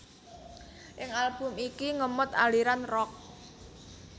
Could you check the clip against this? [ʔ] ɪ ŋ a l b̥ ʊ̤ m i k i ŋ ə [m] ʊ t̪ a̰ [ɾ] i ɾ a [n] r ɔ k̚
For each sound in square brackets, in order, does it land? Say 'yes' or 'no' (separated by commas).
yes, yes, no, yes